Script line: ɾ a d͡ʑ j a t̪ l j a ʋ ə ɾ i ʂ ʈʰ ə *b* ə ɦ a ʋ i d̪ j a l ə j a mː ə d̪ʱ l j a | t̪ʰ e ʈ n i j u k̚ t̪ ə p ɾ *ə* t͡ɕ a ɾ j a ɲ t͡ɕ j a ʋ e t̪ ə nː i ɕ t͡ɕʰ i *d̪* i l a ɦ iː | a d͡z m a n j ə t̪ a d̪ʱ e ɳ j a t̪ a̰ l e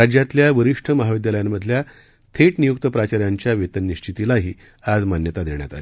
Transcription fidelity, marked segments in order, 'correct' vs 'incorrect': incorrect: m, incorrect: a, incorrect: t̪

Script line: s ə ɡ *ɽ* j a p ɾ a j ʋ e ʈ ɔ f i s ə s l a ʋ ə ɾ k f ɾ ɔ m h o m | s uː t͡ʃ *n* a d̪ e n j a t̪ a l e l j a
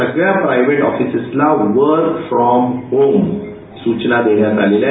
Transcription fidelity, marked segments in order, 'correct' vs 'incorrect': incorrect: ɭ, correct

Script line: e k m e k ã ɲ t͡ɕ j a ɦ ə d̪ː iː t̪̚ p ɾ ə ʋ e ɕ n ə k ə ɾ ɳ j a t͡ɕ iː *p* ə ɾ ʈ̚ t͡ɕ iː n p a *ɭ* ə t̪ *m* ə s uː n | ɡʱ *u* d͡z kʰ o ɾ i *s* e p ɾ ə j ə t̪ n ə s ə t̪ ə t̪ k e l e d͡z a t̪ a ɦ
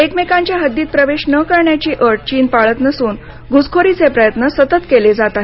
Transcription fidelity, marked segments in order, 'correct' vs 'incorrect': incorrect: ʔ, correct, incorrect: n, correct, incorrect: t͡s

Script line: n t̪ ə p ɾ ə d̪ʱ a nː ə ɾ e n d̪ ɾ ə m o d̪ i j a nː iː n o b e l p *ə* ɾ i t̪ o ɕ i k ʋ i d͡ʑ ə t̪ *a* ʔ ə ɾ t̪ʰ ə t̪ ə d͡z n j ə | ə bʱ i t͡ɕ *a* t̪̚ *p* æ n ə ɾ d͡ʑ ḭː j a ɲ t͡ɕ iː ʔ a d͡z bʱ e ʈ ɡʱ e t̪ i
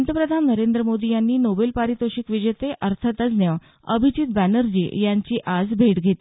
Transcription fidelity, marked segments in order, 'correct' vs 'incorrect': incorrect: a, incorrect: e, incorrect: i, incorrect: b

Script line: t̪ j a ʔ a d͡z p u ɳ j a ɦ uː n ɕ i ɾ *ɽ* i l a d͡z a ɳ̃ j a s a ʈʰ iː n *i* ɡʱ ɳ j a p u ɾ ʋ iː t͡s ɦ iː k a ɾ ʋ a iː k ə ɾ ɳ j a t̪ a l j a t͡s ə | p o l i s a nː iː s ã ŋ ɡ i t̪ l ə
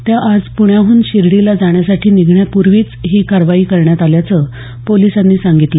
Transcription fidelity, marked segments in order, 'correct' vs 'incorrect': correct, correct

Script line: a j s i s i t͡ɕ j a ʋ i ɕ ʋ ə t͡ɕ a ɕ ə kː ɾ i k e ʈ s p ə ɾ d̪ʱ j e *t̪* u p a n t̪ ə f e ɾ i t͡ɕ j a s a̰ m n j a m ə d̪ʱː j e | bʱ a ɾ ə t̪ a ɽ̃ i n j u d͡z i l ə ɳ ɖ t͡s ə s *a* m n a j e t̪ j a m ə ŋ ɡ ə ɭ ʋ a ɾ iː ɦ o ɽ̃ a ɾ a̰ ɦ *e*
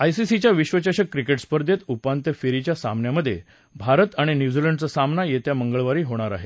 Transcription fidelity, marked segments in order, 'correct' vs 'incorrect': correct, correct, correct

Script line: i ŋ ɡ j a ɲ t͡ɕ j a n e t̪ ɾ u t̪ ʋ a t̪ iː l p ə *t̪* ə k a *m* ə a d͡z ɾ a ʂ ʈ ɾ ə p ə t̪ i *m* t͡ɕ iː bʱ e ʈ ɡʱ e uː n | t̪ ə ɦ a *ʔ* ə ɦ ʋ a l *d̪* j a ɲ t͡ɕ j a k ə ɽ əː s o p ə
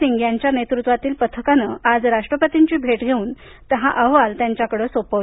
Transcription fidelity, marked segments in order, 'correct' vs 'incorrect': incorrect: t̪ʰ, incorrect: n, incorrect: ɲ, correct, incorrect: t̪

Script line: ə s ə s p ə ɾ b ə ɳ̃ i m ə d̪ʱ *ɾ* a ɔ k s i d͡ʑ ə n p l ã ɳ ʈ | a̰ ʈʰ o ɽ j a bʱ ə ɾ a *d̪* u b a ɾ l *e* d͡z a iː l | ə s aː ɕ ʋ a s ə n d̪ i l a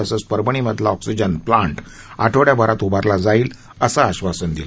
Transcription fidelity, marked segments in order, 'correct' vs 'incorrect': incorrect: l, incorrect: t̪, incorrect: a

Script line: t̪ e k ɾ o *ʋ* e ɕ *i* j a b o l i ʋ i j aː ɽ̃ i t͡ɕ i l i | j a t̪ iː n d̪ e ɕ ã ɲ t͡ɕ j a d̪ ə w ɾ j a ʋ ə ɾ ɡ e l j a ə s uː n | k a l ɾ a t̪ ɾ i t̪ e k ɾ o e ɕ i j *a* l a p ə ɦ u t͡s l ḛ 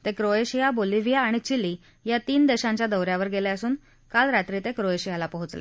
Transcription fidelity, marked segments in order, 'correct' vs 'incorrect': incorrect: none, correct, correct

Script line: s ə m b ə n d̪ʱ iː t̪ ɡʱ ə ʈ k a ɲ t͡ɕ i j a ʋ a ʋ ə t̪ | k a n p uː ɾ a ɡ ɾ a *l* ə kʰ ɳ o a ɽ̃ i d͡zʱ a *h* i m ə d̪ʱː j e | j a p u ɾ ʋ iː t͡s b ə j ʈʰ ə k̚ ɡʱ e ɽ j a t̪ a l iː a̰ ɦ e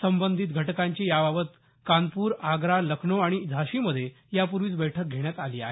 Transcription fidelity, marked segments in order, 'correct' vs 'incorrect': correct, incorrect: ɕ

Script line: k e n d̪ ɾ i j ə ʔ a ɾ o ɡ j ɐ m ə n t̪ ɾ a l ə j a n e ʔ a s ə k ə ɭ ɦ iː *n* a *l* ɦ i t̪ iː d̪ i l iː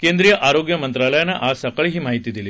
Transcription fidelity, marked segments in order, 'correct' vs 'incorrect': incorrect: m, incorrect: none

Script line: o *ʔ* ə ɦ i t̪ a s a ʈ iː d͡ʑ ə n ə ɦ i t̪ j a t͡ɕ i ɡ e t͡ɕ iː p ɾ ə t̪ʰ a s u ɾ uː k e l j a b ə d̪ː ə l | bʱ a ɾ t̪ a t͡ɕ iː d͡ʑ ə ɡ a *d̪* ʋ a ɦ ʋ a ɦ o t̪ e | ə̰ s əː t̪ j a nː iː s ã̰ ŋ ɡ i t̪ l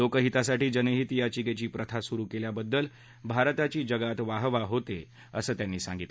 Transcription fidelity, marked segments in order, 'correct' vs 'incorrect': incorrect: k, incorrect: t̪

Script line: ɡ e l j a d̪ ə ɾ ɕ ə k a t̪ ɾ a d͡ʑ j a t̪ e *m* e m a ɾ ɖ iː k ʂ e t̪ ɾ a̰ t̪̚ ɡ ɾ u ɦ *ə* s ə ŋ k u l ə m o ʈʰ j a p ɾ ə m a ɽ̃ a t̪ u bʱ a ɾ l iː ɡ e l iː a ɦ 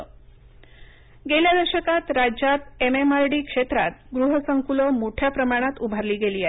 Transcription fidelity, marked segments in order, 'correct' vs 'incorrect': correct, correct

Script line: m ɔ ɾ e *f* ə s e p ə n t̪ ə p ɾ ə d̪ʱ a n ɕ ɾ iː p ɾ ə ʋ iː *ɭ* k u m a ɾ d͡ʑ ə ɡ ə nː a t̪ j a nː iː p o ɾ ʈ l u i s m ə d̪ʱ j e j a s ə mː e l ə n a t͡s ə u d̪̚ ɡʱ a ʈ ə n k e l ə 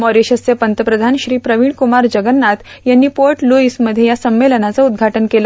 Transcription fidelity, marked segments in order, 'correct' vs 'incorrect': incorrect: ɕ, correct

